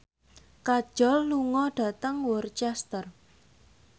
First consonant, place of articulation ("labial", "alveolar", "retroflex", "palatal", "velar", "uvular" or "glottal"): velar